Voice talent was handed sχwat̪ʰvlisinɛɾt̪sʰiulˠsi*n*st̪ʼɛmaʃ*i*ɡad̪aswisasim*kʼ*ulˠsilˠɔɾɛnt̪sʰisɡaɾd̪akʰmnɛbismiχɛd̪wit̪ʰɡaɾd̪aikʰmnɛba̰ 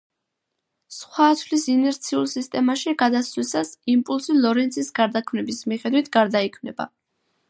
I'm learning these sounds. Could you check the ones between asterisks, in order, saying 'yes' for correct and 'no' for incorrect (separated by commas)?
no, yes, no